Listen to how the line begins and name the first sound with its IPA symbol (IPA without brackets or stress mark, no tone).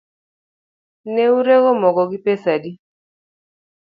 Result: n